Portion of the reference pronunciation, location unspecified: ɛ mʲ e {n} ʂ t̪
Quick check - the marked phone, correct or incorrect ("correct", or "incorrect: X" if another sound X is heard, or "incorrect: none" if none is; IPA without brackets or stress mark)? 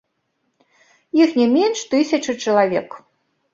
correct